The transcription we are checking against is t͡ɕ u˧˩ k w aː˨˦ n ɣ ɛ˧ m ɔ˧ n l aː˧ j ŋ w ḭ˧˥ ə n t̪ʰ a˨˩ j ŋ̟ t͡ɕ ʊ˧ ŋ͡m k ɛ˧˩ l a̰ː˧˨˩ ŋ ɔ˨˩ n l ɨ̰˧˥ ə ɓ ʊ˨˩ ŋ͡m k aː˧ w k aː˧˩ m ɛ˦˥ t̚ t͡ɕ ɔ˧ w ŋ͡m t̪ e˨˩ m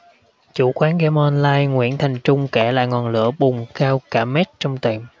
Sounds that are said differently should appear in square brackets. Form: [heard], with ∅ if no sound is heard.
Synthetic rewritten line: t͡ɕ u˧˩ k w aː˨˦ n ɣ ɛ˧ m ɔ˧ n l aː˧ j ŋ w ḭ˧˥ ə n t̪ʰ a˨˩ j ŋ̟ t͡ɕ ʊ˧ ŋ͡m k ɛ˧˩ l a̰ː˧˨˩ ŋ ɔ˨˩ n l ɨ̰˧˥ ə ɓ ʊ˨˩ ŋ͡m k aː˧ w k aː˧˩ m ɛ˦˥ t̚ t͡ɕ ɔ˧ w ŋ͡m t̪ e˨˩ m